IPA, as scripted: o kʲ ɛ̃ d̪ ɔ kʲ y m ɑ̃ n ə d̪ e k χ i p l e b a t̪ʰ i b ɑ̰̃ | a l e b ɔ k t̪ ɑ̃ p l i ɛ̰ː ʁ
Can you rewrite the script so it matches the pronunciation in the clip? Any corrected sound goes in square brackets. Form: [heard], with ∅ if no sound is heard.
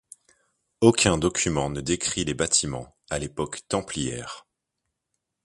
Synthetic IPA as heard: o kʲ ɛ̃ d̪ ɔ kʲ y m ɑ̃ n ə d̪ e k χ i [∅] l e b a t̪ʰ i [m] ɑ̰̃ | a l e [p] ɔ k t̪ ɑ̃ p l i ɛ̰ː ʁ